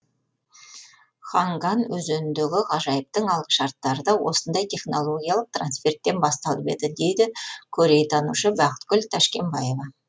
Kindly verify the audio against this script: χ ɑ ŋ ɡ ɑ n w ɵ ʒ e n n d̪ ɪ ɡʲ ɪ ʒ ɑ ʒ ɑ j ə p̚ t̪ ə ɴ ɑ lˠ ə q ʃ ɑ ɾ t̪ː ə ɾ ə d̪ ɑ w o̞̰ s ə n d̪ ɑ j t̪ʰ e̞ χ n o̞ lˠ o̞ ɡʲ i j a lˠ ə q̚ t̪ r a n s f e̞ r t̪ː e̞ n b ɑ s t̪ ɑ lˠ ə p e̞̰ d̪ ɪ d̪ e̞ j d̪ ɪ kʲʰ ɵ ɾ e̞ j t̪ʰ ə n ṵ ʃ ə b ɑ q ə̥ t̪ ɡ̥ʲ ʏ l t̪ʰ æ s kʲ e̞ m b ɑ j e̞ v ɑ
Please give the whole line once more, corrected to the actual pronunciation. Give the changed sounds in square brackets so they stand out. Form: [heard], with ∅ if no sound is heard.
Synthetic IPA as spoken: χ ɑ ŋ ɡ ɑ n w ɵ [z] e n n d̪ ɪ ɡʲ ɪ [ʁ] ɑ ʒ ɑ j ə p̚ t̪ ə ɴ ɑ lˠ ə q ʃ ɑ ɾ t̪ː [ɑ] ɾ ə d̪ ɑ w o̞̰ s ə n d̪ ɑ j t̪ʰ e̞ χ n o̞ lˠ o̞ ɡʲ i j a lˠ ə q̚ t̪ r a n s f e̞ r t̪ː e̞ n b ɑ s t̪ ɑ lˠ ə p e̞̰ d̪ ɪ d̪ e̞ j d̪ ɪ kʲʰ ɵ ɾ e̞ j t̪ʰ [ɑ] n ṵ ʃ ə b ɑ q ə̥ t̪ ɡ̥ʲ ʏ l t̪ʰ æ [ʃ] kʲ e̞ m b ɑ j e̞ v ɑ